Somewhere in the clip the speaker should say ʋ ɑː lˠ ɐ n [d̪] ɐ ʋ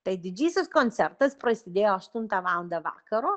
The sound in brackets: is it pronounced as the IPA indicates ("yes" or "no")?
yes